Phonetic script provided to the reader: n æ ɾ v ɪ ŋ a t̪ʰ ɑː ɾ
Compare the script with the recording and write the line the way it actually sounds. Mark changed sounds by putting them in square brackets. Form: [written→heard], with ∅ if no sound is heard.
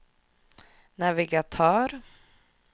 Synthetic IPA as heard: n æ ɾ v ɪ [ŋ→ɡ] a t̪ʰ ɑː ɾ